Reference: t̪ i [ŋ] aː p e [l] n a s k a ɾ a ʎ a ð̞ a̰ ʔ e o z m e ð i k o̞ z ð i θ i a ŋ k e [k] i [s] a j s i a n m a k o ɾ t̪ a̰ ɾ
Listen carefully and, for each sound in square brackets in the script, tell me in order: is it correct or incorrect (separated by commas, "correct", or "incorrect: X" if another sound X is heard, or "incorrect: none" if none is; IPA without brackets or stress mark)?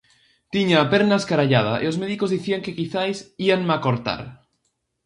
incorrect: ɲ, incorrect: ɾ, correct, incorrect: θ